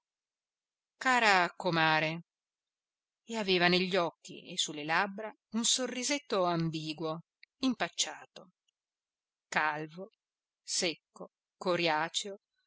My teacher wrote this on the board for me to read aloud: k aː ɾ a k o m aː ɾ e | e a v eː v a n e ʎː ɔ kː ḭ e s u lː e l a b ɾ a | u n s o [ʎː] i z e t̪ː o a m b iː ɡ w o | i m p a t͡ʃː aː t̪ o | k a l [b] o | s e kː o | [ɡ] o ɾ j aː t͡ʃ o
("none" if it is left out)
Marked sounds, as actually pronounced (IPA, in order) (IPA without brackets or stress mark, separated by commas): rː, v, k